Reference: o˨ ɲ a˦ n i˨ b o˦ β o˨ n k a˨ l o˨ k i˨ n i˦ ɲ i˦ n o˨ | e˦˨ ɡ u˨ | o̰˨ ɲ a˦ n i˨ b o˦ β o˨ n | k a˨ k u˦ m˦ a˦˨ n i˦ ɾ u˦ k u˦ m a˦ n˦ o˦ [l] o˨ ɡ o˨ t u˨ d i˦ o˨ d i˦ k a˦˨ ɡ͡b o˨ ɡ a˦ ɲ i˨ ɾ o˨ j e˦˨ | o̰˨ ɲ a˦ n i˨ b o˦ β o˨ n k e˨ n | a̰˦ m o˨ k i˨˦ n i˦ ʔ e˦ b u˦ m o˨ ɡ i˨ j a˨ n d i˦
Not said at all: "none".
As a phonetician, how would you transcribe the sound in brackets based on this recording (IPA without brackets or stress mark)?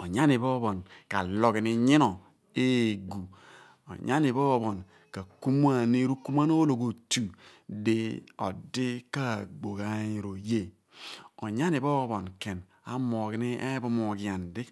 l